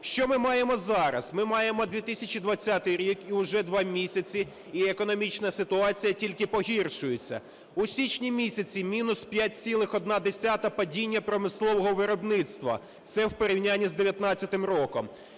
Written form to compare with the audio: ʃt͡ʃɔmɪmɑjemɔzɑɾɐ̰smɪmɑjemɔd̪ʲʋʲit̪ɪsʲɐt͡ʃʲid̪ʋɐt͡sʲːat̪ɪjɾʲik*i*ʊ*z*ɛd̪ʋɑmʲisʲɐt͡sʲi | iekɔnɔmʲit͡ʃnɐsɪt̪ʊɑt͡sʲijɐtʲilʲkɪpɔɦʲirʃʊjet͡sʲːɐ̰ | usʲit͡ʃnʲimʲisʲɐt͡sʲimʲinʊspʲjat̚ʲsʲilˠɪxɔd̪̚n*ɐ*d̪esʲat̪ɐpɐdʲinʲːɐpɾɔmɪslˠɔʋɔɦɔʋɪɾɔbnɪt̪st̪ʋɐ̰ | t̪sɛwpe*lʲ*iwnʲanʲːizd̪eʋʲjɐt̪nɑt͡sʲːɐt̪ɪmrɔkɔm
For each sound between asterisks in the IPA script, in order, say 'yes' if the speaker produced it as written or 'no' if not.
yes, no, no, no

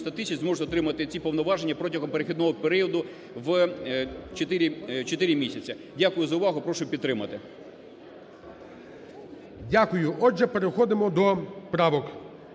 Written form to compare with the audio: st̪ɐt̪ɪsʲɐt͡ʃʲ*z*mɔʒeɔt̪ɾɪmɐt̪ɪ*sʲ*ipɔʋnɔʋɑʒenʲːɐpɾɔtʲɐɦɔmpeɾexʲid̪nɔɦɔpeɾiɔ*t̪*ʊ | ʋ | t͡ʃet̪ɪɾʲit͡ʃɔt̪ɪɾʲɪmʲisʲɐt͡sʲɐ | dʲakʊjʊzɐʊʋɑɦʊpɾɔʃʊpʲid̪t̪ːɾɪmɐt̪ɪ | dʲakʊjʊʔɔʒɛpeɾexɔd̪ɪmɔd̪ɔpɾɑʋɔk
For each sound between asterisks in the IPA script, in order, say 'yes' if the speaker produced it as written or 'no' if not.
yes, no, no

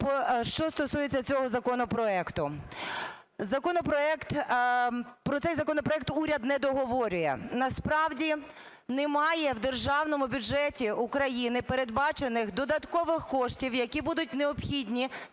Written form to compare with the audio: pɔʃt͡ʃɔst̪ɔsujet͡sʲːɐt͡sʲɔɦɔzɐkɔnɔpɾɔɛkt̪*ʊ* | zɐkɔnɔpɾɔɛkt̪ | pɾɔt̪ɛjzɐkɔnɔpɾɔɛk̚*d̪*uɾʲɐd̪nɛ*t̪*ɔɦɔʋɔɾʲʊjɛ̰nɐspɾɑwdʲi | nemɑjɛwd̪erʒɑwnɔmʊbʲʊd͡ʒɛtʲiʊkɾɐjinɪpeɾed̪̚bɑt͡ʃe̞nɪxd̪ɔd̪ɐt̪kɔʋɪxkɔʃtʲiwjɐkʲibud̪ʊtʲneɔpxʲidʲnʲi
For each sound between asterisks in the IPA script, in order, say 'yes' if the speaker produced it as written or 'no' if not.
yes, no, no

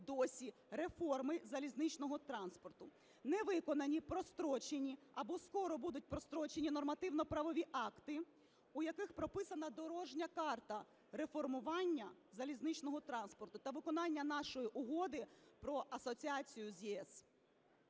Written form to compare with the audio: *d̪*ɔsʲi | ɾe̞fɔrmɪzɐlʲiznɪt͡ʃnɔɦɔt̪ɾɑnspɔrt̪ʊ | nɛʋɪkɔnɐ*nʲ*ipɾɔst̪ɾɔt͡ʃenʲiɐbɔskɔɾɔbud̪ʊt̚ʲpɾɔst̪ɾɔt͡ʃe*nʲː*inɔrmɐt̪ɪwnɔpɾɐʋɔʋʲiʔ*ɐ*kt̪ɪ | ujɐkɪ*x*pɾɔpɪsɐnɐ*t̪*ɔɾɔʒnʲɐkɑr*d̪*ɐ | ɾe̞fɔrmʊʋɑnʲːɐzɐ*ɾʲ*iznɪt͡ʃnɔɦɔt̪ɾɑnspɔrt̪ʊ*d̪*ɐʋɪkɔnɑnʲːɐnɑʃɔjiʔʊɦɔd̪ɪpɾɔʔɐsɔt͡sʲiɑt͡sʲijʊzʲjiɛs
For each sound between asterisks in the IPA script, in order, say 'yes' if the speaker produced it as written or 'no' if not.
yes, yes, no, no, yes, no, no, no, no

